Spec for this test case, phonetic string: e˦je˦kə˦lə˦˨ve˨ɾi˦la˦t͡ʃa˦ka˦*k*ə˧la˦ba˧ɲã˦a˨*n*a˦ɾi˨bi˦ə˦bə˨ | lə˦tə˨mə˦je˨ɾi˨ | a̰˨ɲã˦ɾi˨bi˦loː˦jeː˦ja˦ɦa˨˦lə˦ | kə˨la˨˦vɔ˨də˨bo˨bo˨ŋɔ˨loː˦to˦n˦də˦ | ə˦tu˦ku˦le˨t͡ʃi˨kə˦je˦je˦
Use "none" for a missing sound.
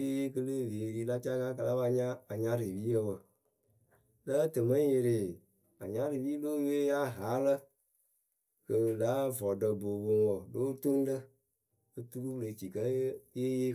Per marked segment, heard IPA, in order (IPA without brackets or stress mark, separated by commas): k, ɲ